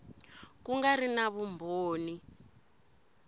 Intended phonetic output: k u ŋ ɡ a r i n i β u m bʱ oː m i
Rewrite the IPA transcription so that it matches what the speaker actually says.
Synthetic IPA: k u ŋ ɡ a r i n a β u m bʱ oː n i